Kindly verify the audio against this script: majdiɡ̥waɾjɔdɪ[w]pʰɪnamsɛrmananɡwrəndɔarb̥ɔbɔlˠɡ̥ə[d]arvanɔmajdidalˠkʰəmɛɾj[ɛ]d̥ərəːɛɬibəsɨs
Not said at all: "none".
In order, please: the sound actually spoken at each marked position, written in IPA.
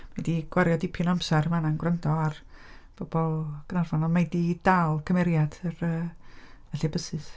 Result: none, n, a

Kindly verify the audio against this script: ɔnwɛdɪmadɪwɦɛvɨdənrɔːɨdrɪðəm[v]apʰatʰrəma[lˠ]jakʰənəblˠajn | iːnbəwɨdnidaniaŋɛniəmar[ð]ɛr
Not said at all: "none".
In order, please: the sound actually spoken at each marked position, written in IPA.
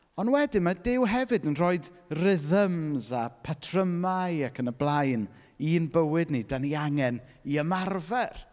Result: z, none, v

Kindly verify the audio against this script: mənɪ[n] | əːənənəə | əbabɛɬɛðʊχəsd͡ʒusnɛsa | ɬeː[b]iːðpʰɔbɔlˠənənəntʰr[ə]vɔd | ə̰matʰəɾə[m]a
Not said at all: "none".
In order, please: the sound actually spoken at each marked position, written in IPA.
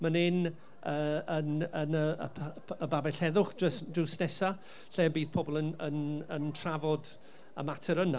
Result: n, b, a, n

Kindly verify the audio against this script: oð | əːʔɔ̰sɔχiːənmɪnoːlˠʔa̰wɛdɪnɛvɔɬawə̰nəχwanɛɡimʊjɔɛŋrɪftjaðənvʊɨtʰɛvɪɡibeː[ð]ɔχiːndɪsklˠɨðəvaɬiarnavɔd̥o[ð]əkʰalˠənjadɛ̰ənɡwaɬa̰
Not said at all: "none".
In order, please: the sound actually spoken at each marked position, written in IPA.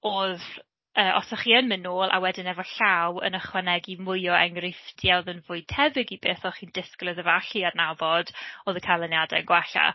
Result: θ, ð

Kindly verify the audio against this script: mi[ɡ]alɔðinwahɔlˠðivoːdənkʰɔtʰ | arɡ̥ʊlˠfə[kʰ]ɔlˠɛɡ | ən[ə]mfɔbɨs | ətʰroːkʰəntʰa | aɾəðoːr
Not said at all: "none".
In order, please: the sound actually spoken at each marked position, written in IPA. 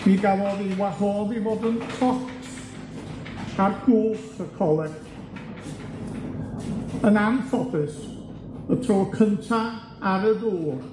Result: ɡ, kʰ, a

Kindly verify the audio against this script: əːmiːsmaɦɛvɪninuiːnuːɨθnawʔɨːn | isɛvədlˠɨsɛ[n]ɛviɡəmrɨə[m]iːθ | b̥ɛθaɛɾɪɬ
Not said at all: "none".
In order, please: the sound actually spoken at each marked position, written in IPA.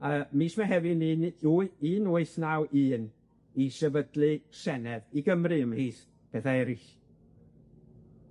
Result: n, m

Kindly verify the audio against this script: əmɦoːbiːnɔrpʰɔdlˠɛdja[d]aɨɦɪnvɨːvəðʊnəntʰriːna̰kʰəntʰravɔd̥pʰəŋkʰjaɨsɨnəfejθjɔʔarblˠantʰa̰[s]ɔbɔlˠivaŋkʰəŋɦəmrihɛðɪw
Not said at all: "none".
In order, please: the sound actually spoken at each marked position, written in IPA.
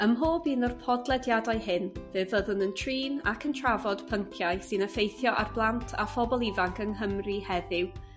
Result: d, f

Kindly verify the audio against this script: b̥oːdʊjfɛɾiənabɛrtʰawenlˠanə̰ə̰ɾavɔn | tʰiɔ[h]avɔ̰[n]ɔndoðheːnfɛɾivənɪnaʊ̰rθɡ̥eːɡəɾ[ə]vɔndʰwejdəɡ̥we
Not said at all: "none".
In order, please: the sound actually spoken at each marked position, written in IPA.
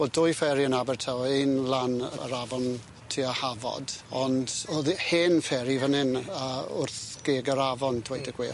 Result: h, d, a

